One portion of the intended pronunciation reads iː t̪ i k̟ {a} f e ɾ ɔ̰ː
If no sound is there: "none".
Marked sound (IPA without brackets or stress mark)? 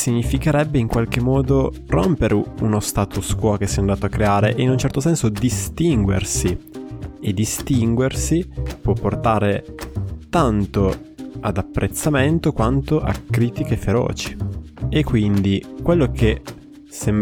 e